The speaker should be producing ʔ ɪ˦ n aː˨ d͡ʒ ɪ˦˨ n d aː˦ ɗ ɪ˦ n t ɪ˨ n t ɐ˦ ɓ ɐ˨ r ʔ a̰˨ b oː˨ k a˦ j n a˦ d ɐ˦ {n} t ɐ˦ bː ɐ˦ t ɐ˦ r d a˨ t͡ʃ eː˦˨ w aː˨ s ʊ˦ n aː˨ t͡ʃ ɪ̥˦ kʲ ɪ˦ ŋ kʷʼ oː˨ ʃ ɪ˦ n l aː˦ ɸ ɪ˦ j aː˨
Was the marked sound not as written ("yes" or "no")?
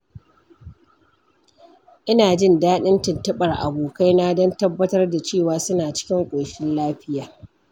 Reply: no